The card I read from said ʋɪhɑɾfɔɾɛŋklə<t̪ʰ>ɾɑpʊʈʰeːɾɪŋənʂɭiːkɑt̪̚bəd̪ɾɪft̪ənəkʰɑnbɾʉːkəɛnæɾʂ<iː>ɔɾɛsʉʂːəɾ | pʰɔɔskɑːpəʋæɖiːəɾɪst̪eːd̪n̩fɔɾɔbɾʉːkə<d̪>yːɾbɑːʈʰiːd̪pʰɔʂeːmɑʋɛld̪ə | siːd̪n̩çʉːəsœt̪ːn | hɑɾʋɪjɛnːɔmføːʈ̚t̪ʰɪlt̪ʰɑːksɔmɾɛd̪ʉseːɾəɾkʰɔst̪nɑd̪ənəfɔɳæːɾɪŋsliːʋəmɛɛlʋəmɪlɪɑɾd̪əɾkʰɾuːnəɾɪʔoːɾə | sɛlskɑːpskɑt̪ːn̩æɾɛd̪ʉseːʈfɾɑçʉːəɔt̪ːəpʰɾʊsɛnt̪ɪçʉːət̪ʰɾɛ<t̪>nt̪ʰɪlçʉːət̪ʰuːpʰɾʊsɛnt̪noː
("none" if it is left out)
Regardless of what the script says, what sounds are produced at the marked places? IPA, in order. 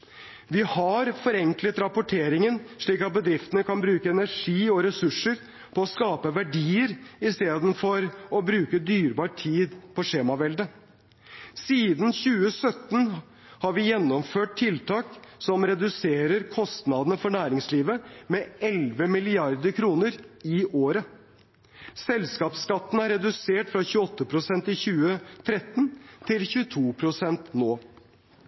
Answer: t̪, iː, d̪, t̪

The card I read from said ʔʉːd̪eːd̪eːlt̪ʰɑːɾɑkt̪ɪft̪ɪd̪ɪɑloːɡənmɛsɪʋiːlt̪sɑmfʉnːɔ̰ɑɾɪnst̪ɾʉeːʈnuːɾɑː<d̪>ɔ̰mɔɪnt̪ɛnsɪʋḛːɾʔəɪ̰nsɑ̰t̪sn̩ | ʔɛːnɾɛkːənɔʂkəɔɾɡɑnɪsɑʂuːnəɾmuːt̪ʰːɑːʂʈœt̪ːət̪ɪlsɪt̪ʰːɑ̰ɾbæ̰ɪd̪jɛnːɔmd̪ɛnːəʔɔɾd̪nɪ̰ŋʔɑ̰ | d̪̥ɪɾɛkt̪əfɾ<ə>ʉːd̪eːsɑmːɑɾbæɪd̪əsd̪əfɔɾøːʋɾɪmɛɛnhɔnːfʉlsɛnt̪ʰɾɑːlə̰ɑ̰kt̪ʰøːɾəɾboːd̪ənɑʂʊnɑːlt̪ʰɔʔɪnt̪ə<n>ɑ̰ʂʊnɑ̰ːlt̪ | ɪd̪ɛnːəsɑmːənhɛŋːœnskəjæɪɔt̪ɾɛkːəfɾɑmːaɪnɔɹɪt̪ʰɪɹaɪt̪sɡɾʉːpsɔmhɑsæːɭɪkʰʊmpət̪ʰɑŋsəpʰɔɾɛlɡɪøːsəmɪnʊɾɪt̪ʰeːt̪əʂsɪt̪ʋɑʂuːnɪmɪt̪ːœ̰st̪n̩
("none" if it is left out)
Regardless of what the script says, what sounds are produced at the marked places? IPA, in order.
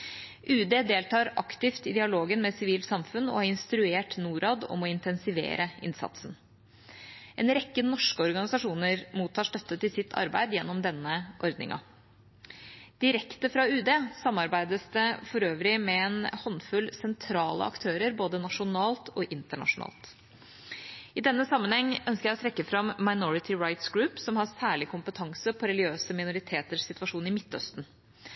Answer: d̪, ɑ, ɳ

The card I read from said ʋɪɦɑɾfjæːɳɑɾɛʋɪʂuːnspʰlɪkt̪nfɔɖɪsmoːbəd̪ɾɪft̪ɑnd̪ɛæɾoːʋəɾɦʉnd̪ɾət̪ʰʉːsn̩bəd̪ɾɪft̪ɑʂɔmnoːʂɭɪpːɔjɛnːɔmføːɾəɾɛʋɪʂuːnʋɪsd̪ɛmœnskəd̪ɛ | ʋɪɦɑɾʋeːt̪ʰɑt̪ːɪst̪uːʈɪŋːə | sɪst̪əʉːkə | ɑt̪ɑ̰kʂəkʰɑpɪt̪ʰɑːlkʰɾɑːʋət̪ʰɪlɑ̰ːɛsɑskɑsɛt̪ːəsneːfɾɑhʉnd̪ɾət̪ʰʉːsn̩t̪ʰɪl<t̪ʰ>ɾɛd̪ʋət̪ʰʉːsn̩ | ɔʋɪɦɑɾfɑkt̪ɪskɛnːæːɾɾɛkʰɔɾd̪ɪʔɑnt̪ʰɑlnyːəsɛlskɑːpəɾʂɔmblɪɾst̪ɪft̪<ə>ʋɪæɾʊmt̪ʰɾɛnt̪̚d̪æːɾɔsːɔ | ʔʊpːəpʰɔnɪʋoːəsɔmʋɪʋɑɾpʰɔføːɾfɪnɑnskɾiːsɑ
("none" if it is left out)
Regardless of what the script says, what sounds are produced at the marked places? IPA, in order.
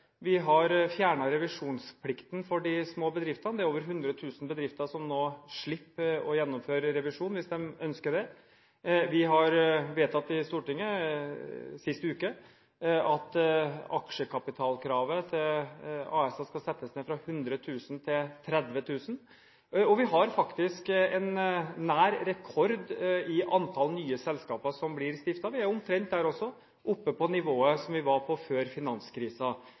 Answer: t̪ʰ, ɑ

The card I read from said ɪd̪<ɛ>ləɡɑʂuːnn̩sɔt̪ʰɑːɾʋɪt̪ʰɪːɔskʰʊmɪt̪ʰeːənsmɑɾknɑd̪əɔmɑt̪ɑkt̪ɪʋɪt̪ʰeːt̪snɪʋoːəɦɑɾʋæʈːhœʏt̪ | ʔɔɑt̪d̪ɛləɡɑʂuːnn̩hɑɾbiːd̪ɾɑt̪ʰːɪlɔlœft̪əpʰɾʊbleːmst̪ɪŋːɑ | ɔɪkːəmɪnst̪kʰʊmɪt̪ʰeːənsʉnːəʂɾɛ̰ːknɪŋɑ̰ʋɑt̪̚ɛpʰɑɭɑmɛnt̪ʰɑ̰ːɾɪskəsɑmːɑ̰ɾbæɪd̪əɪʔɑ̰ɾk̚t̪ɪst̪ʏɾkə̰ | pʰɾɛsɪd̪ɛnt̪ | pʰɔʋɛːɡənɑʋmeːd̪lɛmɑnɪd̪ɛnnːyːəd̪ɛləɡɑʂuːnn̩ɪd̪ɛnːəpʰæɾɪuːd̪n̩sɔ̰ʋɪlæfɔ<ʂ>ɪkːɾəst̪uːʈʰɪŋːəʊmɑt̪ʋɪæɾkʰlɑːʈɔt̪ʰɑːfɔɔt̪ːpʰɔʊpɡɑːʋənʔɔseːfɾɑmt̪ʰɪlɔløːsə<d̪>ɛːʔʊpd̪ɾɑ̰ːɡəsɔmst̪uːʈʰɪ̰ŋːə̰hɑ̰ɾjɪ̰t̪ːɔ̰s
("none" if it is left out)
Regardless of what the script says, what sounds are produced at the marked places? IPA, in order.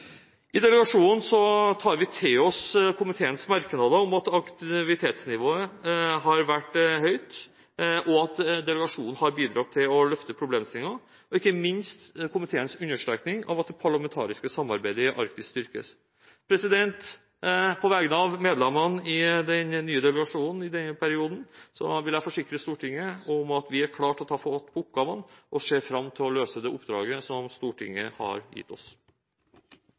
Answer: ɛ, ʂ, d̪

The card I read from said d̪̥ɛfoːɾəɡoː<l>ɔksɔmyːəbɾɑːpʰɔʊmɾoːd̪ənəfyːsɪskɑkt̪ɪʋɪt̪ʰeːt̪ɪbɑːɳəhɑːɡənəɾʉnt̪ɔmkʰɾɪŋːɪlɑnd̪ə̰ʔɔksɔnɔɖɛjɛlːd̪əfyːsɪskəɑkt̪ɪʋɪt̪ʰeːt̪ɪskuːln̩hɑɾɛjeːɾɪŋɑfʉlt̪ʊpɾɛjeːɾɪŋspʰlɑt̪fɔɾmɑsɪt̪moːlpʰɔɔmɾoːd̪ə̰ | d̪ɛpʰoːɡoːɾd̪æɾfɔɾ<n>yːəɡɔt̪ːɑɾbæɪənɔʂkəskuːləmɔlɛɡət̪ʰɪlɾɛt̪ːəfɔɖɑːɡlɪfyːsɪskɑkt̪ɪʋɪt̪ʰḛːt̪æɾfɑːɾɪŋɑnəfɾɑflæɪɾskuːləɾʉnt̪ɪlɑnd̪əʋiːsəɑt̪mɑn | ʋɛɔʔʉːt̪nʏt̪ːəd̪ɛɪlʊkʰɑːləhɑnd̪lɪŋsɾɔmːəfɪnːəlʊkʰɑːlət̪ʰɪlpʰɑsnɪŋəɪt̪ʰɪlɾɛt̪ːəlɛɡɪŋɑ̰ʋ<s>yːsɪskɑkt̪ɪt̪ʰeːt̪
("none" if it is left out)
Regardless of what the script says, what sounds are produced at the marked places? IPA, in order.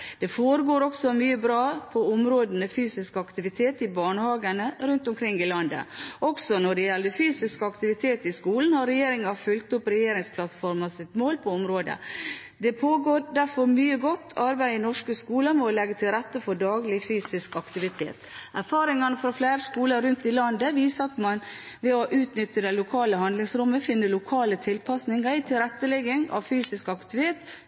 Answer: ɾ, m, f

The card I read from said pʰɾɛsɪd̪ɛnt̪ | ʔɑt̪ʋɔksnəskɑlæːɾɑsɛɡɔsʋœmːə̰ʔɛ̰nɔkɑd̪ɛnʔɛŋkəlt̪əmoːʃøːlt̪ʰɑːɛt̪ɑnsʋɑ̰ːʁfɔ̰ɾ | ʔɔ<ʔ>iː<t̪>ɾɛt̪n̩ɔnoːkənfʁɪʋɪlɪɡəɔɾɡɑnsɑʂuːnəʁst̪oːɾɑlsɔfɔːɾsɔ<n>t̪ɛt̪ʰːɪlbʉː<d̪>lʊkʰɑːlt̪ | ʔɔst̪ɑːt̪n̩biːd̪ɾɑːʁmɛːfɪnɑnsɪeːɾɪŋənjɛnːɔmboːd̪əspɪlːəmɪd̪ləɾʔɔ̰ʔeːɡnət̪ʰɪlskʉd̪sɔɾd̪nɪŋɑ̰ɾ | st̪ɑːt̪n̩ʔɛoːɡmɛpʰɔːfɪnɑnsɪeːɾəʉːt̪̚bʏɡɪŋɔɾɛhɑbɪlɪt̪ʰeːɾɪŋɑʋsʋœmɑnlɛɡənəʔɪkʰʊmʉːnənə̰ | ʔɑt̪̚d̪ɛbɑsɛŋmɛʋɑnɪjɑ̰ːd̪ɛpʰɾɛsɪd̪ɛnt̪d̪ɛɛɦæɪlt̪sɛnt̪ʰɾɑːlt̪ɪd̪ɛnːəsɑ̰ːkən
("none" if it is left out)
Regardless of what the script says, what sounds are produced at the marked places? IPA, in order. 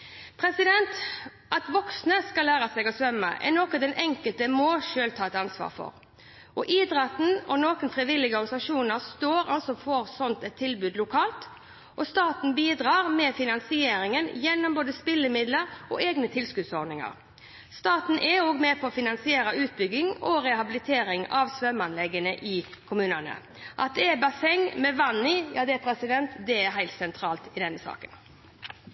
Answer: ʔ, d̪, n, d̪

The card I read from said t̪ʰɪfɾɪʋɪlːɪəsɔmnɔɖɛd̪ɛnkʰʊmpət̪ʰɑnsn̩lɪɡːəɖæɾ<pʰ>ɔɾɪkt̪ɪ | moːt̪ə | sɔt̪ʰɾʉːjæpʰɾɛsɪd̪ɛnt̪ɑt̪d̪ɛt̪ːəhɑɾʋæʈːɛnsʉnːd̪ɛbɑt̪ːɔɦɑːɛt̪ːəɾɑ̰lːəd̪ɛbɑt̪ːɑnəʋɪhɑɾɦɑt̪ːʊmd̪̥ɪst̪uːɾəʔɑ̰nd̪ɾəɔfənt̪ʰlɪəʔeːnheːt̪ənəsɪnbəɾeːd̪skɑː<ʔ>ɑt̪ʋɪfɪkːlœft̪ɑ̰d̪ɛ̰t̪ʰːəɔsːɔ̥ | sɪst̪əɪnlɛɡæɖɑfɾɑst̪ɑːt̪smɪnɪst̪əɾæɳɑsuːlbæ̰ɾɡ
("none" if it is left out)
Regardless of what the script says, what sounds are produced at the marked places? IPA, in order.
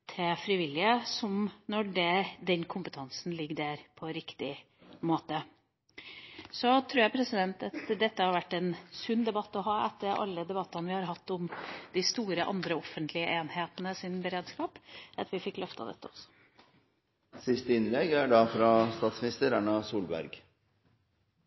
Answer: pʰ, p

